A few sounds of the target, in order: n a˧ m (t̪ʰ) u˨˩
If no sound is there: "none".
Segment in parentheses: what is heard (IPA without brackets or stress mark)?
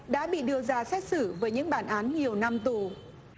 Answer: t̪